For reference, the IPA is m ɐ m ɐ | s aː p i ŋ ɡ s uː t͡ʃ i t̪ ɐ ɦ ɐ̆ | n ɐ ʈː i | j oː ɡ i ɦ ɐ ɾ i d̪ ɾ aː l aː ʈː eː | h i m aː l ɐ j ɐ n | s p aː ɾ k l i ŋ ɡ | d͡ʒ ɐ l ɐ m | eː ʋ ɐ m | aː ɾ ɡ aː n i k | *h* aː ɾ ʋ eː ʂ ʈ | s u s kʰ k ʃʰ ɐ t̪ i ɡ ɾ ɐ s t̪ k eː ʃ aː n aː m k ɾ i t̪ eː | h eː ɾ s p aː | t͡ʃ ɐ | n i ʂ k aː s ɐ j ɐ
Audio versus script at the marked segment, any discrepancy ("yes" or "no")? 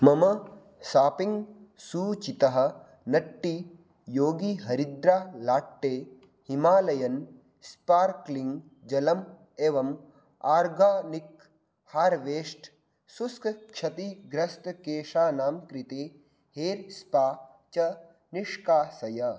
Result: no